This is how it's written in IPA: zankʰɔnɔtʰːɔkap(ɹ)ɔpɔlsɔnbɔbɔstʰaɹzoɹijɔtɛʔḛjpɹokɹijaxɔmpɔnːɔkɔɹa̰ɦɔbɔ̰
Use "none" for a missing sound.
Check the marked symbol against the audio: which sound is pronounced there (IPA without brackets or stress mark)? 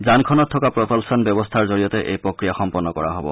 ɹ